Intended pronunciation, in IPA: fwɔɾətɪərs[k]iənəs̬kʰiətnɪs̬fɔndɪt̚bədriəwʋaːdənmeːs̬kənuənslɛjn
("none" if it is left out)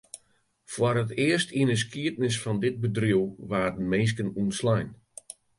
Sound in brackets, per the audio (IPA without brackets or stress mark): t